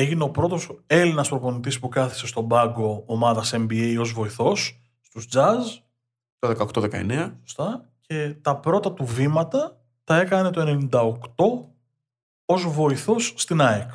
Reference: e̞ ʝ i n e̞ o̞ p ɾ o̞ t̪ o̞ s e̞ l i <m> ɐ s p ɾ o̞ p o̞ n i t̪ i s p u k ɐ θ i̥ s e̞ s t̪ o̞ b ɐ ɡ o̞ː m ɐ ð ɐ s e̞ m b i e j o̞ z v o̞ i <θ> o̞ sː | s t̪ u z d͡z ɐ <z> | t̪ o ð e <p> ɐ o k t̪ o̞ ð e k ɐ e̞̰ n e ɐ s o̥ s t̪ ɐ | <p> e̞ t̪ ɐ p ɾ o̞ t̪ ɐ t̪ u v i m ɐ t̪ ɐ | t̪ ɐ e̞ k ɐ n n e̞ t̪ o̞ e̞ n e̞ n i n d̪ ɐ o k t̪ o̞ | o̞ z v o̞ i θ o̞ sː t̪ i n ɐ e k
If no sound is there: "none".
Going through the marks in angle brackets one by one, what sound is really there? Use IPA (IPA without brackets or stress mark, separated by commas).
n, θ, z, k, c